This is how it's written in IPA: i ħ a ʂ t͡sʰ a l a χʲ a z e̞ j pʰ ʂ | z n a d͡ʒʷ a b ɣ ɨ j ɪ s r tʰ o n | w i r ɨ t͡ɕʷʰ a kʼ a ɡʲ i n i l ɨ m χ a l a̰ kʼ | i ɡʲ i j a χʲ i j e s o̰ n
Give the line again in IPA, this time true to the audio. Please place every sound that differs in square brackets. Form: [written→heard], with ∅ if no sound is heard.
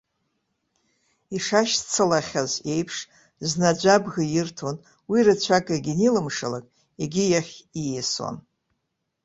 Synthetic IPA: i [ħ→ʂ] a [ʂ→ʃ] t͡sʰ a l a χʲ a z e̞ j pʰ ʂ | z n a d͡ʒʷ a b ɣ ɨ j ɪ [s→∅] r tʰ o n | w i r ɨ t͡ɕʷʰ a kʼ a ɡʲ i n i l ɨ m [χ→ʂ] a l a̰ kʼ | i ɡʲ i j a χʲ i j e s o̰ n